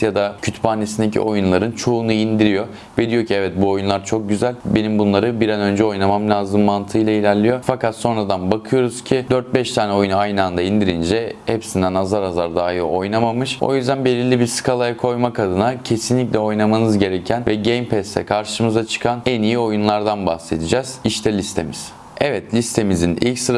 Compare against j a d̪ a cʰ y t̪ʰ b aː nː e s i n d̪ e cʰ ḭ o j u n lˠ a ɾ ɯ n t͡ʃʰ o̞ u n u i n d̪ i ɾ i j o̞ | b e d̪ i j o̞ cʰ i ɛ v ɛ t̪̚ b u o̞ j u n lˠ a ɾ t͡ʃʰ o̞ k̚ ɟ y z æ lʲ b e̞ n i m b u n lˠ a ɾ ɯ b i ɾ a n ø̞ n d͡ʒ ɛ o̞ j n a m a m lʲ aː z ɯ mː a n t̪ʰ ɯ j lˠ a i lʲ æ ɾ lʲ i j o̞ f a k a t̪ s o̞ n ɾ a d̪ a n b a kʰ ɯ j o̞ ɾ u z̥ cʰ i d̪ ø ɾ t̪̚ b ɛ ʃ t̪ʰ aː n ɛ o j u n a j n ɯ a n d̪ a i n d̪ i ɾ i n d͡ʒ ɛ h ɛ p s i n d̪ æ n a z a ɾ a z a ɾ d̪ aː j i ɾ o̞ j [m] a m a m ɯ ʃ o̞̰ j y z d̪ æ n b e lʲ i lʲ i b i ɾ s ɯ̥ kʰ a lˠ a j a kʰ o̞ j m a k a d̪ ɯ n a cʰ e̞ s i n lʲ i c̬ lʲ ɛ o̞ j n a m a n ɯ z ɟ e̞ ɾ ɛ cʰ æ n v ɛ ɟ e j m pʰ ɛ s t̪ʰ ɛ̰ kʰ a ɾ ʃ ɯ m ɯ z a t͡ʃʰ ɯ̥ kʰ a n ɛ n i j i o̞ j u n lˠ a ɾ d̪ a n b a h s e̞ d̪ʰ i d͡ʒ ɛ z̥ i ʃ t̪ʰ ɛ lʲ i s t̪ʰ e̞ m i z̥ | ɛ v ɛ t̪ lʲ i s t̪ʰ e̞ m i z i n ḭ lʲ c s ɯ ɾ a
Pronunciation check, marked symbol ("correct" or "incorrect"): incorrect